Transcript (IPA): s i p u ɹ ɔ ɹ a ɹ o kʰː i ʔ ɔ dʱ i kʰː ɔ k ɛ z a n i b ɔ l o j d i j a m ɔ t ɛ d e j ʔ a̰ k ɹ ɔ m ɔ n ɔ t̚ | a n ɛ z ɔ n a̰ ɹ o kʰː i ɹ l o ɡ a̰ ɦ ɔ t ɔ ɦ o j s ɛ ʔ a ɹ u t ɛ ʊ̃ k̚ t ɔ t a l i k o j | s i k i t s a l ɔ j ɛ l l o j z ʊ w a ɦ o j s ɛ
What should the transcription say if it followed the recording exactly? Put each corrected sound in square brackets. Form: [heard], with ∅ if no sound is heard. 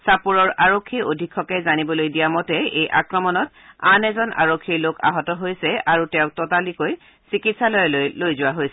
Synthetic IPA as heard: s [a] p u ɹ ɔ ɹ a ɹ o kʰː i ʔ [o] dʱ i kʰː ɔ k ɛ z a n i b ɔ l o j d i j a m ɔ t ɛ [∅] e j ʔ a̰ k ɹ ɔ m ɔ n ɔ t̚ | a n ɛ z ɔ n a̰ ɹ o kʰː i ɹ l o [k] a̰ ɦ ɔ t ɔ ɦ o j s ɛ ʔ a ɹ u t ɛ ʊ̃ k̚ t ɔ t a l i k o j | s i k i t s a l ɔ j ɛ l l o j z ʊ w a ɦ o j s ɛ